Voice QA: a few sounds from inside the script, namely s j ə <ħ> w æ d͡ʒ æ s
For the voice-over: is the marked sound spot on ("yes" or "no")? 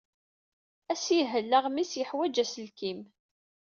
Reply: yes